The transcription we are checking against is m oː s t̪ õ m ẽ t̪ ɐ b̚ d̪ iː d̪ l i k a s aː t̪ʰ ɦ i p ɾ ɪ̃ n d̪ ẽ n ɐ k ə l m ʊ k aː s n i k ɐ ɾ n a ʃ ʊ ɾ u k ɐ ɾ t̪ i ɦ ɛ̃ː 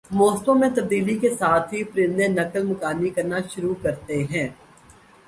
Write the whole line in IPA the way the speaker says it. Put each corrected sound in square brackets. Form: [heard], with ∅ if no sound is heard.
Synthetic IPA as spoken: m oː s t̪ õ m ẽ t̪ ɐ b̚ d̪ iː [∅] l i k [e] s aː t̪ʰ ɦ i p ɾ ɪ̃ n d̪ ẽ n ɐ k ə l m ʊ k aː [∅] n i k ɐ ɾ n a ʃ ʊ ɾ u k ɐ ɾ t̪ [e] ɦ ɛ̃ː

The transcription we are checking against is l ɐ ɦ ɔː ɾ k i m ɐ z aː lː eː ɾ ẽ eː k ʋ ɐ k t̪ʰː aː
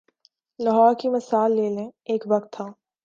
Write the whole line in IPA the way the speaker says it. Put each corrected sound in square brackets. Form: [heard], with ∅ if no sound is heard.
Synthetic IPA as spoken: l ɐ ɦ ɔː ɾ k i m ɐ [s] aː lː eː [l] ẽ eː k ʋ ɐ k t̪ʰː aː

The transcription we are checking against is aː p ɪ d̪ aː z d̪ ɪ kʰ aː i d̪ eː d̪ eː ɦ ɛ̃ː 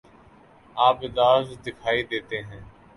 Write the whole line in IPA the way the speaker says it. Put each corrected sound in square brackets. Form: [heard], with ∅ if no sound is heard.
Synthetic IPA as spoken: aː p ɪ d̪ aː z d̪ ɪ kʰ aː i d̪ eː [t̪] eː ɦ ɛ̃ː

